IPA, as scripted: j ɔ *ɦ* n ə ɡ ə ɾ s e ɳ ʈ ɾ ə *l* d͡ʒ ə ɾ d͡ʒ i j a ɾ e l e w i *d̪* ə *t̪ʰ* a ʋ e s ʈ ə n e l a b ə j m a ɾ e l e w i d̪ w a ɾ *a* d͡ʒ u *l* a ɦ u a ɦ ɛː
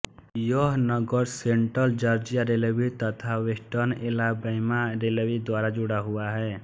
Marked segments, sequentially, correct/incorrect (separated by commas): correct, correct, incorrect, correct, correct, incorrect